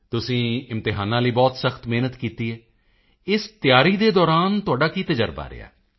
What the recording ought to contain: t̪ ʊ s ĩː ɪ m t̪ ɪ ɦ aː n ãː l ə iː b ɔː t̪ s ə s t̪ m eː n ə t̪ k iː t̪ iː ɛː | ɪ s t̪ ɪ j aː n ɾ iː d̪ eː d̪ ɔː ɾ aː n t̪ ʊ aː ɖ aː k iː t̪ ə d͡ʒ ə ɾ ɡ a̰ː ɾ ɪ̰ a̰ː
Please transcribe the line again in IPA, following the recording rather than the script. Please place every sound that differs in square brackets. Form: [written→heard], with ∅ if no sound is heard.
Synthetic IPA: t̪ ʊ s ĩː ɪ m t̪ ɪ ɦ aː n ãː l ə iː b ɔː t̪ s ə [s→x] t̪ m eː n ə t̪ k iː t̪ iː ɛː | ɪ s t̪ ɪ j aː [n→∅] ɾ iː d̪ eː d̪ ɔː ɾ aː n t̪ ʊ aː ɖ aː k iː t̪ ə d͡ʒ ə ɾ [ɡ→b] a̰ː ɾ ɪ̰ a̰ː